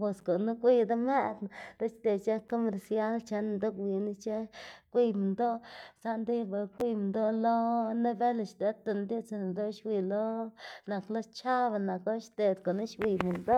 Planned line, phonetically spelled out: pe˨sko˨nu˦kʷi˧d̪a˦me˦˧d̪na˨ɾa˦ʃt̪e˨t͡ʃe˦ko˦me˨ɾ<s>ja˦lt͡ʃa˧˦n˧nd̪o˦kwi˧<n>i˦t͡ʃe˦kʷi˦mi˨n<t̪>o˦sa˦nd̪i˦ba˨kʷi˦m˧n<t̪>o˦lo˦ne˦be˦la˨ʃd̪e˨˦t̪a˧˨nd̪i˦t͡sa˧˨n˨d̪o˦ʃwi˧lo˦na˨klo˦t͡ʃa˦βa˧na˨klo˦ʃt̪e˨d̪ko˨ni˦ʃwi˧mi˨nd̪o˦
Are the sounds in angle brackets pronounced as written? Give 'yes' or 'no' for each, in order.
yes, yes, no, no

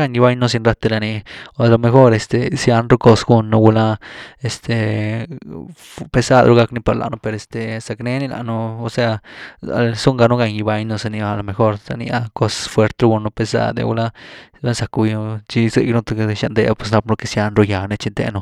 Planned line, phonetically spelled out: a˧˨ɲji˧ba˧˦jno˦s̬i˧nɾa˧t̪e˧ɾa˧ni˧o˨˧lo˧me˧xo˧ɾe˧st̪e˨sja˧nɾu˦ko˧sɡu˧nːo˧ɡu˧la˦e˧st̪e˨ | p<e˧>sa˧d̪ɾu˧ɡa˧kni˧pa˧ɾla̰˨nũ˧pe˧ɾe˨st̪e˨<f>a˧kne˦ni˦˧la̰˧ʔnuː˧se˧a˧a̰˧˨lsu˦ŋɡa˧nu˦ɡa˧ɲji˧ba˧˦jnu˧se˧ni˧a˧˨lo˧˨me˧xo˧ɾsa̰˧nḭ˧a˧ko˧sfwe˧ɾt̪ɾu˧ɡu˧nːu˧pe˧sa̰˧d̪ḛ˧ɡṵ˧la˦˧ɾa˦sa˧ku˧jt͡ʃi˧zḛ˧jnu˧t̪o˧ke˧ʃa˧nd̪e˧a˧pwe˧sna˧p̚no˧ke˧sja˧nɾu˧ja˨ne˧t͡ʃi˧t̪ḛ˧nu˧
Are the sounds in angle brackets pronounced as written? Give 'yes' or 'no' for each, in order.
yes, no

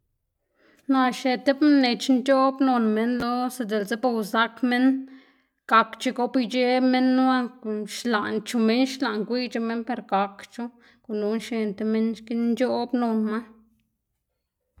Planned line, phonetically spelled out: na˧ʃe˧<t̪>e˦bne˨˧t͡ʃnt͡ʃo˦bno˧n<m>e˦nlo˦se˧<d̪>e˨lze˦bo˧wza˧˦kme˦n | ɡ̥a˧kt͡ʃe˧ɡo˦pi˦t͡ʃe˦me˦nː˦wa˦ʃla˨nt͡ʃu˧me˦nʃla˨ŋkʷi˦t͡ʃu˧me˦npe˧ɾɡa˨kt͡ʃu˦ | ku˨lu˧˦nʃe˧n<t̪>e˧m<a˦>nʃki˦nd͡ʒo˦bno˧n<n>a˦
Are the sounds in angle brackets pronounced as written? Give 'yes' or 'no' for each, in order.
yes, yes, yes, yes, no, no

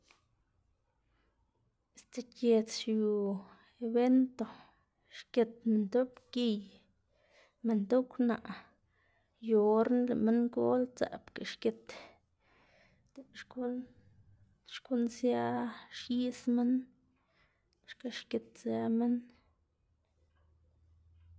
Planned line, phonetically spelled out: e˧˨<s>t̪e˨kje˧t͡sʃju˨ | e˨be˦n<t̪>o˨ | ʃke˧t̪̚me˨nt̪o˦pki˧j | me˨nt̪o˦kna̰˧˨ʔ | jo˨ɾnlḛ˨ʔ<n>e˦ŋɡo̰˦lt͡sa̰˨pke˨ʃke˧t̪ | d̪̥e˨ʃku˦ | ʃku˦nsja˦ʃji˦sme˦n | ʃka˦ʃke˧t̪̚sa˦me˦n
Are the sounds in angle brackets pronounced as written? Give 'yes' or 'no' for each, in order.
yes, yes, no

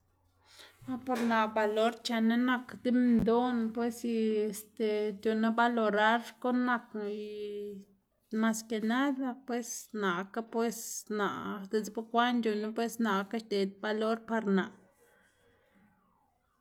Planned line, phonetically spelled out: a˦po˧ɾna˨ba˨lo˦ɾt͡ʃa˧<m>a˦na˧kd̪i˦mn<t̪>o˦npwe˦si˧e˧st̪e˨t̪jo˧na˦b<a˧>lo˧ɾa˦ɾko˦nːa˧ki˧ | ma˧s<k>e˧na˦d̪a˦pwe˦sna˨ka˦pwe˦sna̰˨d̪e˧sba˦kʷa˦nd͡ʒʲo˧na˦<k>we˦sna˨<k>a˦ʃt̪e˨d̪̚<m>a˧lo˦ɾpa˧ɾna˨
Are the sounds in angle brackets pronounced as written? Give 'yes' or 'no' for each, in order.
no, no, yes, yes, no, yes, no

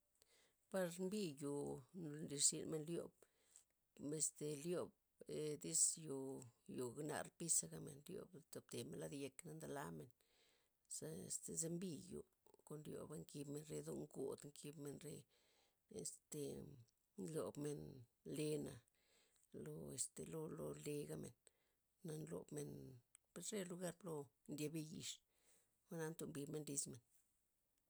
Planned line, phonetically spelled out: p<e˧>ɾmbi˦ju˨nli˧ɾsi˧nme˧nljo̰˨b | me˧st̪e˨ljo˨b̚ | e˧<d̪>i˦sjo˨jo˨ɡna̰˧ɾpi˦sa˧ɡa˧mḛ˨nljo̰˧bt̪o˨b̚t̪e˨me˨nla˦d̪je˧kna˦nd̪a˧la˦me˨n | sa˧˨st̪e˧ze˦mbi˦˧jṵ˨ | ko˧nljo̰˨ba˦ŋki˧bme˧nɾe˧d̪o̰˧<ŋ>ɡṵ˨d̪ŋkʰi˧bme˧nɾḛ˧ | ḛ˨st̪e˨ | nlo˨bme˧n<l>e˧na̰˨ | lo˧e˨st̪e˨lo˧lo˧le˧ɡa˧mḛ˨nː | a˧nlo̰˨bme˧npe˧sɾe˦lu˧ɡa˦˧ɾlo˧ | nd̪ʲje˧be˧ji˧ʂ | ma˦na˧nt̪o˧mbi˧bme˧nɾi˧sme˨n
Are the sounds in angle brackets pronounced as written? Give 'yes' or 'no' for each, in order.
no, yes, yes, yes

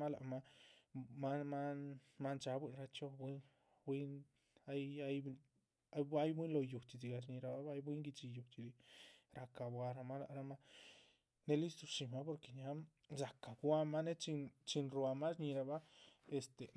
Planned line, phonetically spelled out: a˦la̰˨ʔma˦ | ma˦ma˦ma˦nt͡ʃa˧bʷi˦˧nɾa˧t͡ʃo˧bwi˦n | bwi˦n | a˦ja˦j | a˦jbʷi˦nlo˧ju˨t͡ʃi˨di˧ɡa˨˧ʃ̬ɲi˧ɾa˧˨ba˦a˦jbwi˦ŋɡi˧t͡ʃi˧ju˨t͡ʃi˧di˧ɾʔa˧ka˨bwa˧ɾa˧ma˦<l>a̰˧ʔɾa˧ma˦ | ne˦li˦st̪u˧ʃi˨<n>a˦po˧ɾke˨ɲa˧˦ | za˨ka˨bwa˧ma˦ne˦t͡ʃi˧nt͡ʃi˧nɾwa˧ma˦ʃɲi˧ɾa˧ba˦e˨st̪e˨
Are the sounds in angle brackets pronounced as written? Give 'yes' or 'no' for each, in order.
yes, no

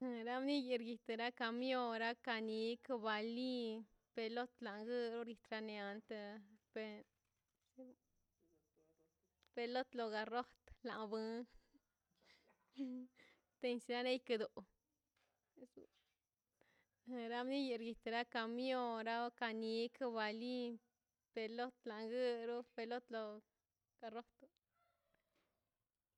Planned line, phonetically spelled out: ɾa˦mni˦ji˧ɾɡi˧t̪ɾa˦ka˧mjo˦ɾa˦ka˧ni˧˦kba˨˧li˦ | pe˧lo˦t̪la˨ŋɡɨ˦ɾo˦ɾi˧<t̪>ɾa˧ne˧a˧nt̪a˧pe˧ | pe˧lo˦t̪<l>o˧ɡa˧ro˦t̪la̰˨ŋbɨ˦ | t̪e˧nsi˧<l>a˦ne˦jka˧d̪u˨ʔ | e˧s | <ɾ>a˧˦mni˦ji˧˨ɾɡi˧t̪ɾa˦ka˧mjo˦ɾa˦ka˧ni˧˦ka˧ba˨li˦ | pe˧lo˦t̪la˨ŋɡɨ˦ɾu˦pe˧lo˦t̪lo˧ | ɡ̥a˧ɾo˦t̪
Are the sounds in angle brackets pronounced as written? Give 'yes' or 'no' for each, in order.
yes, yes, no, yes

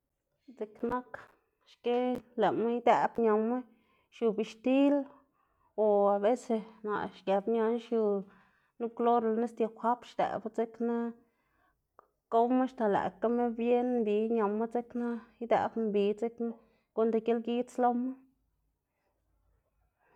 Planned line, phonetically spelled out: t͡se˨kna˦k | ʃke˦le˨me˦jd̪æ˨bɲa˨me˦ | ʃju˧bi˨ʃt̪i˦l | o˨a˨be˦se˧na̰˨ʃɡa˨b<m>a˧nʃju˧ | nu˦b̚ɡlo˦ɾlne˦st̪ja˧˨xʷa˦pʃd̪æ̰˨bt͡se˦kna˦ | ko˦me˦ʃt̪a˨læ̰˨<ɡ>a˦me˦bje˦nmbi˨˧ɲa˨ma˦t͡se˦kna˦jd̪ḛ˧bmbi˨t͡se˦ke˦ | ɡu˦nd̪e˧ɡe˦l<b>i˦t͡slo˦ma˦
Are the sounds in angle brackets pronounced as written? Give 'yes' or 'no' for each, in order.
no, no, no

